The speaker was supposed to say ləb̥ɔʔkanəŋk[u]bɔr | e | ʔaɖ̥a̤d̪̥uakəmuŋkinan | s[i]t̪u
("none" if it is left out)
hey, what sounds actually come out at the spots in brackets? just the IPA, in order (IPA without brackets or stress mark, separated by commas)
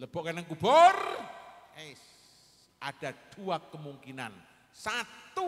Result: u, a